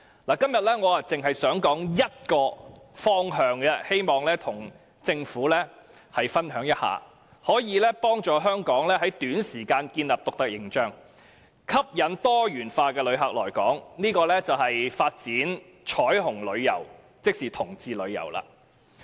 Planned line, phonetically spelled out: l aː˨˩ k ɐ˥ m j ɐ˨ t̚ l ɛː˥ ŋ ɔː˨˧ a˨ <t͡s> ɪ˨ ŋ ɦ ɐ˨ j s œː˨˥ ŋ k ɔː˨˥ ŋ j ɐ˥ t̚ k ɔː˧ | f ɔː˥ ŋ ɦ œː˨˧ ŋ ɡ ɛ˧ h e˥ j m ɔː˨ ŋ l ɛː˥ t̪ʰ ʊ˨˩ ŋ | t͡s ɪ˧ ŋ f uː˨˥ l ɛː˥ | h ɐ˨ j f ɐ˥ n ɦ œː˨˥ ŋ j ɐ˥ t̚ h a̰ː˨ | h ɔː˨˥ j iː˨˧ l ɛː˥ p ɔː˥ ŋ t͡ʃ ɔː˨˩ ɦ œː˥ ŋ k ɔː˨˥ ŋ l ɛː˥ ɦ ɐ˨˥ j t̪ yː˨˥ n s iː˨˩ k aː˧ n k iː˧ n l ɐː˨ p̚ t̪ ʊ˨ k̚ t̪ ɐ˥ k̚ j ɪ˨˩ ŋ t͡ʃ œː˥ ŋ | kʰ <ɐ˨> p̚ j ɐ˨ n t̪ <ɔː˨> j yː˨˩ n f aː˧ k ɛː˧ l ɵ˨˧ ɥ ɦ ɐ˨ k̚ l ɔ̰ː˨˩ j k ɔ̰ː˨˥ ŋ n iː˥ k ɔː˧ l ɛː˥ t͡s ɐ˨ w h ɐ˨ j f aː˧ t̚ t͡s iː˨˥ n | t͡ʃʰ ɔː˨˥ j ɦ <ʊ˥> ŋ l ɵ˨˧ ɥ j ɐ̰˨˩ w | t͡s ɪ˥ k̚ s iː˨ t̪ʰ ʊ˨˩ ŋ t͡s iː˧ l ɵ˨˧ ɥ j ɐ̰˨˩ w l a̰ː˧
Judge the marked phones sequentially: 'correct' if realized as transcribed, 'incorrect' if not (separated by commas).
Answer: correct, incorrect, incorrect, incorrect